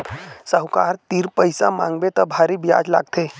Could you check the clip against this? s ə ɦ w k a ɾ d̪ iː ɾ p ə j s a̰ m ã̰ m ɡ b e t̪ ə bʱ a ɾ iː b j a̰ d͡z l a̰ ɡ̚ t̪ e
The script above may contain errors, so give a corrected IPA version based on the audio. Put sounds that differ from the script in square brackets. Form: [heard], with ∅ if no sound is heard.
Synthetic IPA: s ə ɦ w k a ɾ [t̪] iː ɾ p ə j s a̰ m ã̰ [ŋ] ɡ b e t̪ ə bʱ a ɾ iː b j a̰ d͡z l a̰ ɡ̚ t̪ e